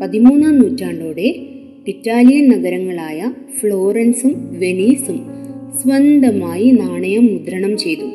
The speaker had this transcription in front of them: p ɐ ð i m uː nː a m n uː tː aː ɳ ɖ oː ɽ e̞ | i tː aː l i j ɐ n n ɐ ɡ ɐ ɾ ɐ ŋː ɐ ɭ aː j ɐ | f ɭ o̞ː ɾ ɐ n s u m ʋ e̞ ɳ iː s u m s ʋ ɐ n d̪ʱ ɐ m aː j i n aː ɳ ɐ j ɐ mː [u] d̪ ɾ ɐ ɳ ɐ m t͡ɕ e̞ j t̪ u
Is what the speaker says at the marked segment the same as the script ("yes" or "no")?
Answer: yes